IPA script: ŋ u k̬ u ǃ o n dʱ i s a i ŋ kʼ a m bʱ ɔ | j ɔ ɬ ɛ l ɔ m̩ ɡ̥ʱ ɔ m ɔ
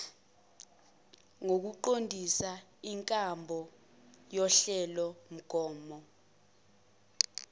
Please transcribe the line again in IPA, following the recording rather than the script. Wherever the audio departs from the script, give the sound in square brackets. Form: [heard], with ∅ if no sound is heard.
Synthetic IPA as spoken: ŋ [o] k̬ u ǃ o n dʱ i s a i ŋ kʼ a m bʱ ɔ | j ɔ ɬ ɛ l ɔ m̩ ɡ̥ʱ [ɔː] m ɔ